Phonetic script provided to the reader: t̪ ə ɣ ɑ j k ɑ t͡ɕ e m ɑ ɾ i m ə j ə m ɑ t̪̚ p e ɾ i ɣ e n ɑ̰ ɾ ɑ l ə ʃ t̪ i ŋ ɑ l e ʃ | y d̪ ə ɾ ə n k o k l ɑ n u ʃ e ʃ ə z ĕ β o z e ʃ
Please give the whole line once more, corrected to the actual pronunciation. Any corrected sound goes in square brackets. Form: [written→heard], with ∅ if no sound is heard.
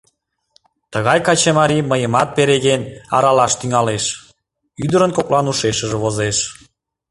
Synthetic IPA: t̪ ə ɣ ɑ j k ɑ t͡ɕ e m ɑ ɾ i m ə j ə m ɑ t̪̚ p e ɾ [i→e] ɣ e n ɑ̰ ɾ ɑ l [ə→ɑ] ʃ t̪ [i→y] ŋ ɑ l e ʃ | y d̪ ə ɾ ə n k o k l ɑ n u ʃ e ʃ ə [z→ʒ] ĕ β o z e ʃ